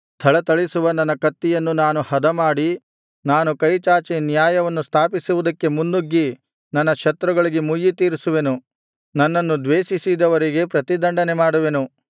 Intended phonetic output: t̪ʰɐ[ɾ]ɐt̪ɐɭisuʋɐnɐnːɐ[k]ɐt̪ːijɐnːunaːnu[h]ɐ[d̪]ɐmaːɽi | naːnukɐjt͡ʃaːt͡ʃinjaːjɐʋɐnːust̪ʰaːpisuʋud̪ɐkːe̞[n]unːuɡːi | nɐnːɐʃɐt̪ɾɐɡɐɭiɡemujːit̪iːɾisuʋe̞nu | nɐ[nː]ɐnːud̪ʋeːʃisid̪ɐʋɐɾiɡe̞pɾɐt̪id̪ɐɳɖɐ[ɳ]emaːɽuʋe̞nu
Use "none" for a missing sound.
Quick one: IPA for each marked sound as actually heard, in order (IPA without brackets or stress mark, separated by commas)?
ɭ, k, h, d̪, m, nː, n